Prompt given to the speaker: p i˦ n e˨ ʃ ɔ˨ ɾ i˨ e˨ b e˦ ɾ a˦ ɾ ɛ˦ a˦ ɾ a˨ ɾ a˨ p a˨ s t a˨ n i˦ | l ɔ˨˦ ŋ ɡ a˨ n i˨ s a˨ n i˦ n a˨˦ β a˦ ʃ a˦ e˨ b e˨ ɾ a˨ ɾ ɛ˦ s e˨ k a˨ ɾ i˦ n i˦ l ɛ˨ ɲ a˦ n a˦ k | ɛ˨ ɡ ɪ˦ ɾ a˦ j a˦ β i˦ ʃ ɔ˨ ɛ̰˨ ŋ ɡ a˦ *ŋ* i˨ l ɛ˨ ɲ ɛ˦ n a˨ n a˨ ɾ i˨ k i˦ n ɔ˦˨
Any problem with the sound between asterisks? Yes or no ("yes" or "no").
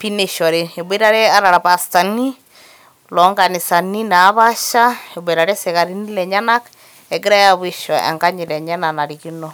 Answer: yes